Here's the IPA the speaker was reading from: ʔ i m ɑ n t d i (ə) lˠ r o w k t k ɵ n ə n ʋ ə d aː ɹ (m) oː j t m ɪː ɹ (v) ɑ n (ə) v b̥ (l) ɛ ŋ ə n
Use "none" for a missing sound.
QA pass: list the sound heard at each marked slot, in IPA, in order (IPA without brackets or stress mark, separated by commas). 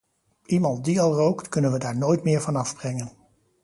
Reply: ɑ, n, v, ɑ, r